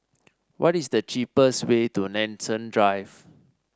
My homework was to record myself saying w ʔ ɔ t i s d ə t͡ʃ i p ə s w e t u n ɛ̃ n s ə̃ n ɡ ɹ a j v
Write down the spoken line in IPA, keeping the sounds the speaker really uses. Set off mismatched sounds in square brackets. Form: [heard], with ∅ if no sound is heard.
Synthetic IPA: w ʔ ɔ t i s d ə t͡ʃ i p ə s w e t u n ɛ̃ n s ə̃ n [d] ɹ a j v